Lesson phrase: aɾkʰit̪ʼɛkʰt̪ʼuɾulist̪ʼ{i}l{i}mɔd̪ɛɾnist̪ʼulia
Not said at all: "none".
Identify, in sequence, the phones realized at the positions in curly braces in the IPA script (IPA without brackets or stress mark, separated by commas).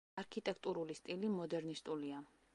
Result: i, i